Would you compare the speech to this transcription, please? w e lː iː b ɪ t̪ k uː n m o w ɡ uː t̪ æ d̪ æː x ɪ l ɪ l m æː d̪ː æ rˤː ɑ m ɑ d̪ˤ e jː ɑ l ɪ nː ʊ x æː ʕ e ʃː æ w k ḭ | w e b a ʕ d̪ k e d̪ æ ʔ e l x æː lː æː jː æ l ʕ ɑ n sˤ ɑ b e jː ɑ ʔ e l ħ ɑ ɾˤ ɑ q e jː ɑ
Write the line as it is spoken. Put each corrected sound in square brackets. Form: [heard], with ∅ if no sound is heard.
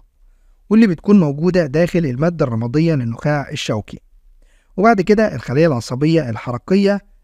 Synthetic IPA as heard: w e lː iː b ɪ t̪ k uː n m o w ɡ uː [d̪] æ d̪ æː x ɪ l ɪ l m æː d̪ː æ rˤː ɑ m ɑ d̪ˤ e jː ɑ l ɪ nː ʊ x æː ʕ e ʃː æ w k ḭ | w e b a ʕ d̪ k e d̪ æ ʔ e l x [æ] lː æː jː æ l ʕ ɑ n sˤ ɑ b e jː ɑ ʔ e l ħ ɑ ɾˤ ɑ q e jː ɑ

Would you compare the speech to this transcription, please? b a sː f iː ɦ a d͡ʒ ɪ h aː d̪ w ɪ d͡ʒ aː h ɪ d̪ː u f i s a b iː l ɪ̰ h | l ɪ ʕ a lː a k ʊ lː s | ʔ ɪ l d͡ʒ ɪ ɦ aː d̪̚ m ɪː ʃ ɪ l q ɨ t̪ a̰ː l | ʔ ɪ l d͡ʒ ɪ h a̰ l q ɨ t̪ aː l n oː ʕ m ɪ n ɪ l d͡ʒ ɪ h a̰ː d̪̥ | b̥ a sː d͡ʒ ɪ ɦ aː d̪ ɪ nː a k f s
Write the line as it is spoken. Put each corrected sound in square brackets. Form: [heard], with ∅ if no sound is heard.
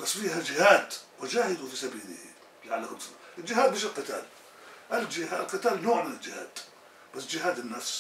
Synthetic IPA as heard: b a sː f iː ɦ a d͡ʒ ɪ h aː d̪ w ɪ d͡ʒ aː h ɪ [d̪] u f i s a b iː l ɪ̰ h | l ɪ ʕ a lː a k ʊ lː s | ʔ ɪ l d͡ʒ ɪ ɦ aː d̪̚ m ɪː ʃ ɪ l q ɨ t̪ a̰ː l | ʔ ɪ l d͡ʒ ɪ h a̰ l q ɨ t̪ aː l n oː ʕ m ɪ n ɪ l d͡ʒ ɪ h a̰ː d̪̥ | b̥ a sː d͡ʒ ɪ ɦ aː d̪ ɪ nː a [∅] f s

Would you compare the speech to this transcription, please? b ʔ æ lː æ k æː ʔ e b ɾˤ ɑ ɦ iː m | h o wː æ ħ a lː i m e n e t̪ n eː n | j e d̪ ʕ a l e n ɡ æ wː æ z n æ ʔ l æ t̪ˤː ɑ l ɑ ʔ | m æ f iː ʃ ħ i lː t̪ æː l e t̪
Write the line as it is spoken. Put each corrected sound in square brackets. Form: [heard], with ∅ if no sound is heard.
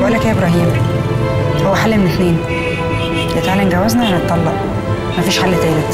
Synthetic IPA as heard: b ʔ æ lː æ k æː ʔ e b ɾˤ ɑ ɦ iː m | h o wː æ ħ a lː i m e n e t̪ n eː n | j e [t̪] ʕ a l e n ɡ æ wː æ z n æ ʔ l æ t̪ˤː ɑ [lː] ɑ ʔ | m æ f iː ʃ ħ [a] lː t̪ æː l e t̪

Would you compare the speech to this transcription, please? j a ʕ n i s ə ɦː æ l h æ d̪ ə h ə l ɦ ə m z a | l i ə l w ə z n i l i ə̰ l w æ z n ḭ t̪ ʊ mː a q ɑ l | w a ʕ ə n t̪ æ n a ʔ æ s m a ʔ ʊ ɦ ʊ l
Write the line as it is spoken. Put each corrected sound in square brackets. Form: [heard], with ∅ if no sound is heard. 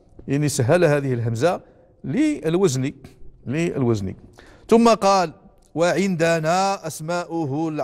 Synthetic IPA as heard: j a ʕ n i s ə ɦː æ l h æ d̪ ə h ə l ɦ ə m z a | l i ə l w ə z n i l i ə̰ l w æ z n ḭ t̪ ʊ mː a q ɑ l | w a ʕ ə n [d̪] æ n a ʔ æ s m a ʔ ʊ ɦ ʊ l

